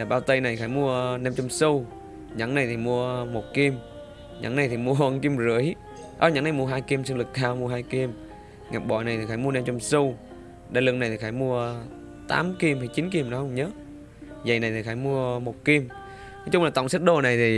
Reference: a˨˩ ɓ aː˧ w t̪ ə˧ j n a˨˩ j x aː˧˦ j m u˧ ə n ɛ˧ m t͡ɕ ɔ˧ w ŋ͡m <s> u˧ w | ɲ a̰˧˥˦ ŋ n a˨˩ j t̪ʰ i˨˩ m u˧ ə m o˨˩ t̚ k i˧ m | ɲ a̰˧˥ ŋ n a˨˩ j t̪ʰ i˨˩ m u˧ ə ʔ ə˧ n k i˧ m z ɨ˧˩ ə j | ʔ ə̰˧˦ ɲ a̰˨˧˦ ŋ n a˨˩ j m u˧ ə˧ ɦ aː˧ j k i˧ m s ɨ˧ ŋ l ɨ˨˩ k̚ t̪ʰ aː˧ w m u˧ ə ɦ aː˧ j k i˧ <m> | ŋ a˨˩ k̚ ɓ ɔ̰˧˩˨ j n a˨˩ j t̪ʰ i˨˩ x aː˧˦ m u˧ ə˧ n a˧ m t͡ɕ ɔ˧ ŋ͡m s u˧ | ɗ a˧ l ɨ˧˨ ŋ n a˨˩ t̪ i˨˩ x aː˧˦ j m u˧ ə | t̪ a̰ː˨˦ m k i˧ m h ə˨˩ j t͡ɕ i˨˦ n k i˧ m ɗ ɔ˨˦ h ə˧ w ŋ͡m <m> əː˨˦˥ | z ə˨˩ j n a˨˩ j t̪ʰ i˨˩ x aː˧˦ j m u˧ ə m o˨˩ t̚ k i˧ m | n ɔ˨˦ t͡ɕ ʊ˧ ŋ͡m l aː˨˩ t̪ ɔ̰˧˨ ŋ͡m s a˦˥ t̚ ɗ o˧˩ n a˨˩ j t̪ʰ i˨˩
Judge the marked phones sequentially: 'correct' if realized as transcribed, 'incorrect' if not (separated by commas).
correct, correct, incorrect